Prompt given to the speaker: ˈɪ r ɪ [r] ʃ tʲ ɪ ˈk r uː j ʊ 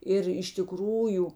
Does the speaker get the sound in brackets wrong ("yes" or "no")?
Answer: yes